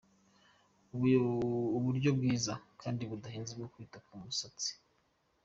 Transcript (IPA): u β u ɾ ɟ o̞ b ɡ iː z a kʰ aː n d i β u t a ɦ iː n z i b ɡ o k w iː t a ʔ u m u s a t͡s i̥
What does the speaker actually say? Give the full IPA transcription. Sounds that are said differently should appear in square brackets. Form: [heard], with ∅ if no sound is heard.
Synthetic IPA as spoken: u β u ɾ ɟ o̞ b ɡ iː z a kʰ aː n d i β u [d] a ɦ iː n z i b ɡ o k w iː t a [k] u m u s a t͡s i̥